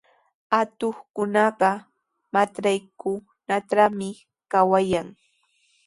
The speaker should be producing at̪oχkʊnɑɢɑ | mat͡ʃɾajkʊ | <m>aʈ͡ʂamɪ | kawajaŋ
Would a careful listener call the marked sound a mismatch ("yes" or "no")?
yes